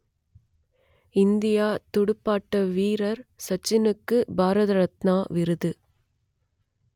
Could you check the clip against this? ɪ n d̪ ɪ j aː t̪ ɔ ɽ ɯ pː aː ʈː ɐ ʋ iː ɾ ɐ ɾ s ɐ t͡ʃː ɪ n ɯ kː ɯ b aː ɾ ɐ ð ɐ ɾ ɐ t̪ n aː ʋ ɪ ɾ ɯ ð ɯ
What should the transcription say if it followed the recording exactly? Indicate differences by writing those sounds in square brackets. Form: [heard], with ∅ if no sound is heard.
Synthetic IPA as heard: ɪ n d̪ ɪ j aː t̪ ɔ ɽ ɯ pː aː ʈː ɐ ʋ iː ɾ ɐ ɾ s ɐ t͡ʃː ɪ n ɯ kː ɯ b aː ɾ ɐ ð ɐ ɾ ɐ t̪ n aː ʋ ɪ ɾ ɯ ð ɯ